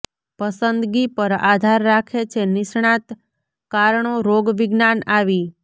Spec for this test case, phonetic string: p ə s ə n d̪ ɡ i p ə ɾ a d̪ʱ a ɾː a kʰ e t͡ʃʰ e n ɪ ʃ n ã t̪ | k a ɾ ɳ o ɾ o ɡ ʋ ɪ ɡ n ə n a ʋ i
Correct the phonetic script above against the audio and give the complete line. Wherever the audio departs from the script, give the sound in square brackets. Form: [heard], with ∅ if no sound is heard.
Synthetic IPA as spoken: p ə s ə n d̪ ɡ i p ə ɾ a d̪ʱ a ɾː a kʰ e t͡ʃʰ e n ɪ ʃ [ɳ] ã t̪ | k a ɾ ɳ o ɾ o ɡ ʋ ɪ ɡ n [a] n a ʋ i